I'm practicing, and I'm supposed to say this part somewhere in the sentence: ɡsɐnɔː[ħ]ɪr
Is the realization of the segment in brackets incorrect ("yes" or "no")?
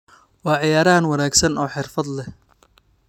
no